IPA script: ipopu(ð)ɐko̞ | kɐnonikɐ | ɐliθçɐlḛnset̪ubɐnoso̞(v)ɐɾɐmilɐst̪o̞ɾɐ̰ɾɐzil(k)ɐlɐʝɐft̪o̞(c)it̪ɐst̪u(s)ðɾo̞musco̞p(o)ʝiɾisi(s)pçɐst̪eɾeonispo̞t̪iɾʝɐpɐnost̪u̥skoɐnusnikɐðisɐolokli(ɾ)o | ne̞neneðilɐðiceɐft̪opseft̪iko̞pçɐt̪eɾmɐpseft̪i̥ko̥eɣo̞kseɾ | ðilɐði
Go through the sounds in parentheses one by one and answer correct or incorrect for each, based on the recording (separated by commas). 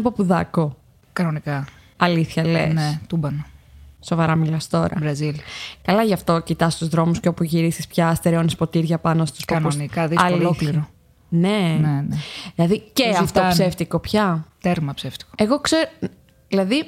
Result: correct, correct, correct, correct, incorrect, incorrect, correct, correct